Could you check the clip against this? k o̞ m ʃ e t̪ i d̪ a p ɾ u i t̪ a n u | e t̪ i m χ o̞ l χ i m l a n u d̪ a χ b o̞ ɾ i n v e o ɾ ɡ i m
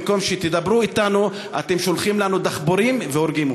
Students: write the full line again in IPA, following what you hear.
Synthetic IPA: k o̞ m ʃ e t̪ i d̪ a b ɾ u i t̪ a n u | a t̪ e m ʃ o̞ l χ i m l a n u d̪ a χ b o̞ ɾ i m v e o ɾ ɡ i m